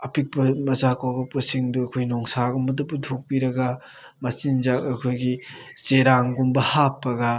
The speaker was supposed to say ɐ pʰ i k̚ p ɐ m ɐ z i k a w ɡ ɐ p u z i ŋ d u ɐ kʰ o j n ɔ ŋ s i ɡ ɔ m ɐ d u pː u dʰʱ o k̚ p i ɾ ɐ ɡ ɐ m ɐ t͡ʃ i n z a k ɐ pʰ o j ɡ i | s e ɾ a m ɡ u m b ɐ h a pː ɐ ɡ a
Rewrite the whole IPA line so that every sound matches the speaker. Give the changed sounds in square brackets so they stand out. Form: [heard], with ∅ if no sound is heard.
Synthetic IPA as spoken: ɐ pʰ i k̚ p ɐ m ɐ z [a] k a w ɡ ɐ p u [s] i ŋ d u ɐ kʰ o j n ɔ ŋ s [a] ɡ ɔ m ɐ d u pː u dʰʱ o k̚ p i ɾ ɐ ɡ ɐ m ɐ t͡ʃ i n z a k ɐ [kʰ] o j ɡ i | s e ɾ a [ŋ] ɡ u m b ɐ h a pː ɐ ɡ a